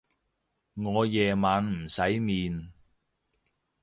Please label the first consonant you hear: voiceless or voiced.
voiced